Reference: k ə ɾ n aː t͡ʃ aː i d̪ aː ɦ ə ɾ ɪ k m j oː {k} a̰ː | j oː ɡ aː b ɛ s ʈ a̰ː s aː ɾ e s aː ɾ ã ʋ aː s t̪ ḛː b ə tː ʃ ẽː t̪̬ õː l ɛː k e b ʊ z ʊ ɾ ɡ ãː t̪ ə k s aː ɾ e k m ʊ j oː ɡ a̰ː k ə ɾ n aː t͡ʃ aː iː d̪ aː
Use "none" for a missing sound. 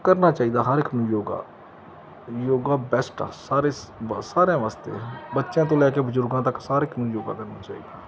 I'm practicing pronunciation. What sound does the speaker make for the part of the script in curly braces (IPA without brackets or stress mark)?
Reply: ɡ